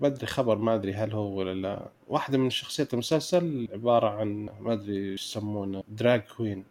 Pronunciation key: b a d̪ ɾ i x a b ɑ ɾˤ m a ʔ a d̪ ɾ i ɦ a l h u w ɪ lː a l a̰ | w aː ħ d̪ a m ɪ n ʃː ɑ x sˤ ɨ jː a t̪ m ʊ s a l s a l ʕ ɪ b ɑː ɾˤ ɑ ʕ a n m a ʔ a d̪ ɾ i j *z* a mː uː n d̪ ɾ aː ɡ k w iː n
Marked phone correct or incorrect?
incorrect